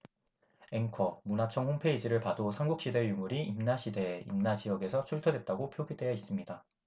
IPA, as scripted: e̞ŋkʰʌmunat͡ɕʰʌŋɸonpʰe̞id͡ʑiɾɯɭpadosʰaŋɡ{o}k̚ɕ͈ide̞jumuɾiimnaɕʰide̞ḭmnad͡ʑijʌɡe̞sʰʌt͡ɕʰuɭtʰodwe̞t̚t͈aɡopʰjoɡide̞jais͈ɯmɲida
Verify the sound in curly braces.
incorrect: u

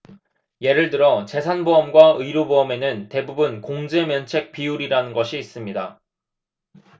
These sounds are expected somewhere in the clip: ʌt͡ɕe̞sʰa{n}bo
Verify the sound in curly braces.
correct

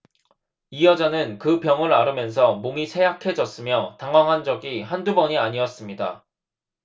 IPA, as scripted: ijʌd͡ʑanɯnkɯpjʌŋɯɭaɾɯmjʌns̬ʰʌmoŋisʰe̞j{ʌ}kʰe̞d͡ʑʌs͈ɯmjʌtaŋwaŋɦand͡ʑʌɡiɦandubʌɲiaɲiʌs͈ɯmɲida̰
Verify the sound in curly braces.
incorrect: a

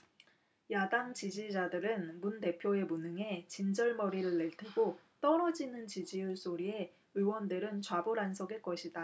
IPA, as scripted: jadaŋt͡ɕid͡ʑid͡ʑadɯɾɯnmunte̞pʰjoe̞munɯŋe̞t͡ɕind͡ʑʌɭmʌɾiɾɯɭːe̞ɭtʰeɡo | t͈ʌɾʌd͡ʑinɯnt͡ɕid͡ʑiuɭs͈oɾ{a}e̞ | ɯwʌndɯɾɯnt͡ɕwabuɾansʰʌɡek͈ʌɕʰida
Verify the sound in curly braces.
incorrect: i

